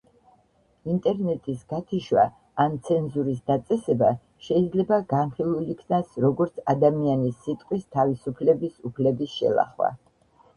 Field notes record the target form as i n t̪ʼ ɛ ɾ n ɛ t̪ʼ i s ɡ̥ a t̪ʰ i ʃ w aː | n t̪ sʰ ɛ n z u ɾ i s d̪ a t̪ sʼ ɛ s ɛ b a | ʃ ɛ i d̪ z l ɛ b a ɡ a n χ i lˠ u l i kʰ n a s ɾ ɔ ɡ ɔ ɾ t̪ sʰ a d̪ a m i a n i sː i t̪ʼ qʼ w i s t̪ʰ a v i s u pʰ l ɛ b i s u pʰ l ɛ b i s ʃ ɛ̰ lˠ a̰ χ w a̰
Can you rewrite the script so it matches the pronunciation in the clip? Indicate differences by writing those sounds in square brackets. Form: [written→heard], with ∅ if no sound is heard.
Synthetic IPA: i n t̪ʼ ɛ ɾ n ɛ t̪ʼ i s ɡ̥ a t̪ʰ i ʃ w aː | n t̪ sʰ ɛ n z u ɾ i s d̪ a t̪ sʼ ɛ s ɛ b a | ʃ ɛ i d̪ z l ɛ b a ɡ a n χ i lˠ u l i kʰ n a s ɾ ɔ ɡ ɔ ɾ t̪ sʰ a d̪ a m i a n i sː i t̪ʼ qʼ w i s t̪ʰ a v i s u pʰ l ɛ b i s u pʰ l ɛ b i s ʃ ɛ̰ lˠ a̰ χ w a̰